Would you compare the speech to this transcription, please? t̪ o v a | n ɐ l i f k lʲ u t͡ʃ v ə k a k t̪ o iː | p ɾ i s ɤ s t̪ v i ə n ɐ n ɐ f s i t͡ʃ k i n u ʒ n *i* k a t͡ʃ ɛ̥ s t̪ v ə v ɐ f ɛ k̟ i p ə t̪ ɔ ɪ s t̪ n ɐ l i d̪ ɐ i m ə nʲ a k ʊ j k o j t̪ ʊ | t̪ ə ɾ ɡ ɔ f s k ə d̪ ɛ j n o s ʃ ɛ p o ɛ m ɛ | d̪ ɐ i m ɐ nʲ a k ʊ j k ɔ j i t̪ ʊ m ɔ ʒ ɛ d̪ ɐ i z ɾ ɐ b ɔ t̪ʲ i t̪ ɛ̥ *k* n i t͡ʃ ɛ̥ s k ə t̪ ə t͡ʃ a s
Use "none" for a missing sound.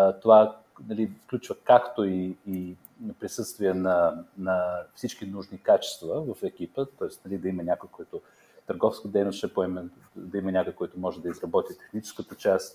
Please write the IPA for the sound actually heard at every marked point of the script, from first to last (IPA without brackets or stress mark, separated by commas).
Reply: i, x